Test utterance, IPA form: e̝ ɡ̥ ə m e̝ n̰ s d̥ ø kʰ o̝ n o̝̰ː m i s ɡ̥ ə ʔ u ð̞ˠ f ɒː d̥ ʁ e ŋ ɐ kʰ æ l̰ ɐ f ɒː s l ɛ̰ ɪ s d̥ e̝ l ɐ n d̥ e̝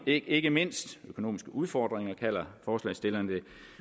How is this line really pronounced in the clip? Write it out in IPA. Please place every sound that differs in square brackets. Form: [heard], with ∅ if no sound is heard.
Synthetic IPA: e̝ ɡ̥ ə m e̝ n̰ s d̥ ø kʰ o̝ n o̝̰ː m i s ɡ̥ ə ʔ u ð̞ˠ f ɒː d̥ ʁ e ŋ ɐ kʰ æ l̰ ɐ f ɒː s l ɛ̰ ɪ s d̥ e̝ l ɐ n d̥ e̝